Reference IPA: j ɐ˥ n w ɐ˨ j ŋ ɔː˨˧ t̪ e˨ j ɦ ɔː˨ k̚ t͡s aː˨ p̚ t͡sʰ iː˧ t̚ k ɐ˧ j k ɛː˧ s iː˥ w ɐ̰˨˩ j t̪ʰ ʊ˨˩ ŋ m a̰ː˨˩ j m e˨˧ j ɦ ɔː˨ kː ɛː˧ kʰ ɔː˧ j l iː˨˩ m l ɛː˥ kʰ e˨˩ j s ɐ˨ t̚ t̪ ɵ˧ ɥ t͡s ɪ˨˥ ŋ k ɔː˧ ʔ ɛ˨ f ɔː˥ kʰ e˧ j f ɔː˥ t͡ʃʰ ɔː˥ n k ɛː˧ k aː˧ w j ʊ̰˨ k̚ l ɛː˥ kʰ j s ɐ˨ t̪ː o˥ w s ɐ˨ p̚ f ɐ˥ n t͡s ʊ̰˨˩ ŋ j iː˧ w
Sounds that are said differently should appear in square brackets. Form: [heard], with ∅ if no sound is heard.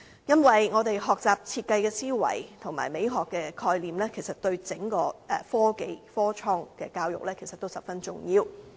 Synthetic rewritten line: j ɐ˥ n w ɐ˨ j ŋ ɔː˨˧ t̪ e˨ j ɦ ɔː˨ k̚ t͡s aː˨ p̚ t͡sʰ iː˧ t̚ k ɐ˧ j k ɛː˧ s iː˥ w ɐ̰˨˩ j t̪ʰ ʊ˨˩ ŋ m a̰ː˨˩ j m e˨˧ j ɦ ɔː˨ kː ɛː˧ kʰ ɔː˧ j l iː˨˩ m l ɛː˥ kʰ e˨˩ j s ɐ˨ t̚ t̪ ɵ˧ ɥ t͡s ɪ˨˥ ŋ k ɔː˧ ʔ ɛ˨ f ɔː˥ [k] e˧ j f ɔː˥ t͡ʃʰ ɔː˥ [ŋ] k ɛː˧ k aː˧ w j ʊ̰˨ k̚ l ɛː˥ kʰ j s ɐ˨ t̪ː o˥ w s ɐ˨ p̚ f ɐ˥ n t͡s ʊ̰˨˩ ŋ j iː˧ w